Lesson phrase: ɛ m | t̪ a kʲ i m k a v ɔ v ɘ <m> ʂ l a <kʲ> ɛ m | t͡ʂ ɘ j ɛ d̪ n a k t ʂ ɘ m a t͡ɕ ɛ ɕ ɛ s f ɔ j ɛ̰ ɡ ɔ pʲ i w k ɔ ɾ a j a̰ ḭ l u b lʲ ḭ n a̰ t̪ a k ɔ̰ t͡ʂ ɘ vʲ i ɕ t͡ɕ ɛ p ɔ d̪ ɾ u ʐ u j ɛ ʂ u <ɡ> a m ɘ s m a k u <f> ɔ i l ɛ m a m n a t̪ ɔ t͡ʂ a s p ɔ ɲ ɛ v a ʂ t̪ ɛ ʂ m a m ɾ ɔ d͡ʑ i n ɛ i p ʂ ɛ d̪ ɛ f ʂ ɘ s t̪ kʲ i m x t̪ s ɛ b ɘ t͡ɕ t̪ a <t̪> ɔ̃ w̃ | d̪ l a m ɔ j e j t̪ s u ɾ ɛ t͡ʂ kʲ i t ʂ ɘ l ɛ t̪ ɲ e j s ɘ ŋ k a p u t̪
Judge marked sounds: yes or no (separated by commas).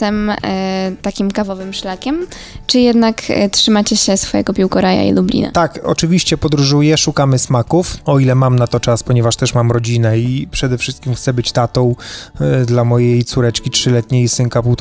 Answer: yes, yes, no, yes, yes